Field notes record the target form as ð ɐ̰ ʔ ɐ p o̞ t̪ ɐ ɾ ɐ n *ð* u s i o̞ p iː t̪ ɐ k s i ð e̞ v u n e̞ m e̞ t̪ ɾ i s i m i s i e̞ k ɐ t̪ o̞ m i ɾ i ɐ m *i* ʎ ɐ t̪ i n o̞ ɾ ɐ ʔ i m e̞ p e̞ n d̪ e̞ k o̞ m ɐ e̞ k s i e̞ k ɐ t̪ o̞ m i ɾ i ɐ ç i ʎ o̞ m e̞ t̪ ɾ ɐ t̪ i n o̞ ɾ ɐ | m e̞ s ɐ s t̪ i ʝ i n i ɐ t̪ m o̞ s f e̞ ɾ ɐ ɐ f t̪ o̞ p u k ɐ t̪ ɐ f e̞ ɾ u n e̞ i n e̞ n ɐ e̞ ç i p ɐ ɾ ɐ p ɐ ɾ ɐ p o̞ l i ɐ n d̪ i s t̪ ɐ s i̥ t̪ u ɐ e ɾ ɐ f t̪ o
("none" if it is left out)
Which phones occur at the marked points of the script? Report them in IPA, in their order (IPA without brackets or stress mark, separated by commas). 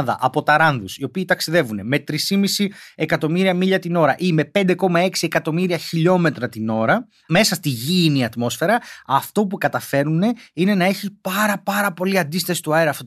ð, i